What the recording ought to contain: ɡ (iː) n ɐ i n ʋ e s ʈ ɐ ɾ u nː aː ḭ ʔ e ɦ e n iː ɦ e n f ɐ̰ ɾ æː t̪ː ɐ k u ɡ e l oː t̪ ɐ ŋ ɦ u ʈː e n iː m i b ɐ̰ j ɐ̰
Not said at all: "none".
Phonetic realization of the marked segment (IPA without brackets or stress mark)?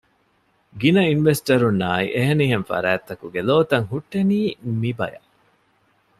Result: i